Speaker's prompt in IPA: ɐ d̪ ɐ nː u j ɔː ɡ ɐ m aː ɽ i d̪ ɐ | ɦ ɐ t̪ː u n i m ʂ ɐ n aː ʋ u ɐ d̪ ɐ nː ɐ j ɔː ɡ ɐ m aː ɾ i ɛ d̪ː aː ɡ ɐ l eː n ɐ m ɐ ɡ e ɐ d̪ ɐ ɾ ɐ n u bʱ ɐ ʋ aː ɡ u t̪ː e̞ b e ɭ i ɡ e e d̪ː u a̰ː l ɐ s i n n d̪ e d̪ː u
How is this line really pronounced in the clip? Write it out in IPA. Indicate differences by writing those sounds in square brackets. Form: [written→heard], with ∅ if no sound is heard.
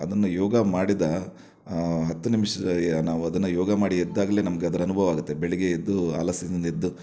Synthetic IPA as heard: ɐ d̪ ɐ nː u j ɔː ɡ ɐ m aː ɽ i d̪ ɐ | ɦ ɐ t̪ː u n i m ʂ ɐ n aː ʋ u ɐ d̪ ɐ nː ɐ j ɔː ɡ ɐ m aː [ɾ→ɽ] i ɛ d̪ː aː ɡ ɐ l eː n ɐ m ɐ ɡ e ɐ d̪ ɐ ɾ ɐ n u bʱ ɐ ʋ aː ɡ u t̪ː e̞ b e ɭ i ɡ e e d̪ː u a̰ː l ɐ s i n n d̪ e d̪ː u